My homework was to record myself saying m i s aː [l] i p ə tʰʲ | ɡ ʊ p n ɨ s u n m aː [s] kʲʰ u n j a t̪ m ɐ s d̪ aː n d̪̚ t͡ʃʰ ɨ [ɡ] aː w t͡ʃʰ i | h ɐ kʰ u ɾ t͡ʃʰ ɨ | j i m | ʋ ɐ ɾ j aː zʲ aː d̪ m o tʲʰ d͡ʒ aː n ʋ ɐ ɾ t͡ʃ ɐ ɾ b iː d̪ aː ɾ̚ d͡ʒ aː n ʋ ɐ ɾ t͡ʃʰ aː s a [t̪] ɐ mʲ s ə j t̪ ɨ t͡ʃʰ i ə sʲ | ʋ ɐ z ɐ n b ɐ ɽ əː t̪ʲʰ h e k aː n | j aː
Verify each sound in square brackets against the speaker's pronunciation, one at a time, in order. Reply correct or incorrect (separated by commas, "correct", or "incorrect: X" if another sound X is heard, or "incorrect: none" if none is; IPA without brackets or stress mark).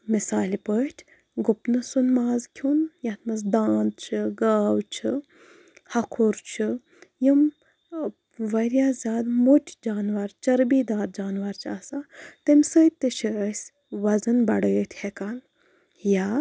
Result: correct, incorrect: z, correct, correct